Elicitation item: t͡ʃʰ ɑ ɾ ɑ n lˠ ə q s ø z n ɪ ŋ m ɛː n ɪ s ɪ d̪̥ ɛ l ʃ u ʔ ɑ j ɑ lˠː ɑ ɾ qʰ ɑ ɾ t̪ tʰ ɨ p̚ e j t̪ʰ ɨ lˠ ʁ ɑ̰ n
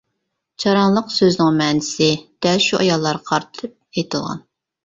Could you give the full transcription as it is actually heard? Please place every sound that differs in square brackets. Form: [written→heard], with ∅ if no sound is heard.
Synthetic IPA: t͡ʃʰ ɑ ɾ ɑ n lˠ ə q s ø z n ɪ ŋ m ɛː n ɪ s ɪ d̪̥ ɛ l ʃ u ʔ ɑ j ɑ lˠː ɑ ɾ qʰ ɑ ɾ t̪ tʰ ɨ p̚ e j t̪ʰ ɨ lˠ ʁ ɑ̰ n